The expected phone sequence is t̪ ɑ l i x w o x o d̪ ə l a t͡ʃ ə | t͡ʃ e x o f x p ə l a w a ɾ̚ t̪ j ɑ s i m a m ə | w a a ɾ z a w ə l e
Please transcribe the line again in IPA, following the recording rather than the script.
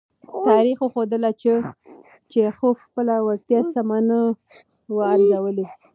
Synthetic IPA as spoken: t̪ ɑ ɾ i x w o x o d̪ ə l a t͡ʃ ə | t͡ʃ e x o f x p ə l a w a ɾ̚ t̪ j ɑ s a m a n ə | w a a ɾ z a w ə l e